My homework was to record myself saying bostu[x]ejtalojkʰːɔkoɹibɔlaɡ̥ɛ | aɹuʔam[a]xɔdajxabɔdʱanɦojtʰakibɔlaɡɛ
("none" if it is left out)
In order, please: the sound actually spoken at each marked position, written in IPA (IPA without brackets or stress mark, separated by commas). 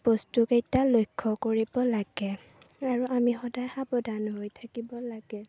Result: k, i